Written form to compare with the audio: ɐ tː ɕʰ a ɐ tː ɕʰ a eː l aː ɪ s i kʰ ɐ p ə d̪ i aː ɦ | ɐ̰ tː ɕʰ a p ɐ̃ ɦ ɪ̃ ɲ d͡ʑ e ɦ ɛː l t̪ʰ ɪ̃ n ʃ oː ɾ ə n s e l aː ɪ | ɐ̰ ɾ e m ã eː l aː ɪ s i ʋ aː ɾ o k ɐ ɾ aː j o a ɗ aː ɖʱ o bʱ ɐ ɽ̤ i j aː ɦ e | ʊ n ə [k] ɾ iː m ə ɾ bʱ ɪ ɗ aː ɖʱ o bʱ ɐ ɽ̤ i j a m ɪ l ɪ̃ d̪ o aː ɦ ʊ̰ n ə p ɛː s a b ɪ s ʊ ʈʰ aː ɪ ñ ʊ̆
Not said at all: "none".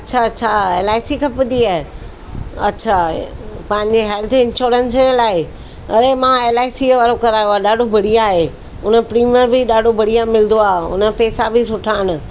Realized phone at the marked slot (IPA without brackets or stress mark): p